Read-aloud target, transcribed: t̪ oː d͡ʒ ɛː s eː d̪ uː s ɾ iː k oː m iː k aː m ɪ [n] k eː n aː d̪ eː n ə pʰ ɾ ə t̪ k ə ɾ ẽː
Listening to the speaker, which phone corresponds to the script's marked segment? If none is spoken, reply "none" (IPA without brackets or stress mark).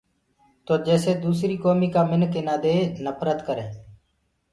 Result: n